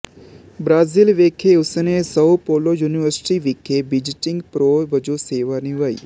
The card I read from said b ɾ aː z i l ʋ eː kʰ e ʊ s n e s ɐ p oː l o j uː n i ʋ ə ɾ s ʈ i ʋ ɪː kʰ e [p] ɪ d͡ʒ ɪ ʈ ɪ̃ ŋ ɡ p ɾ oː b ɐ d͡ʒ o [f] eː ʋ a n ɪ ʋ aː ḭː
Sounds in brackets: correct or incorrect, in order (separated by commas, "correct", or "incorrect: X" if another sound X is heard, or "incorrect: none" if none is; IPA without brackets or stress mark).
incorrect: b, incorrect: s